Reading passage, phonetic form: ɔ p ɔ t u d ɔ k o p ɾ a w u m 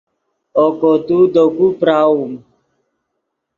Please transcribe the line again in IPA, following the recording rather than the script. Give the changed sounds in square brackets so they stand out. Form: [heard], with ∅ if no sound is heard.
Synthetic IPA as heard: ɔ [k] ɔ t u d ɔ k [u] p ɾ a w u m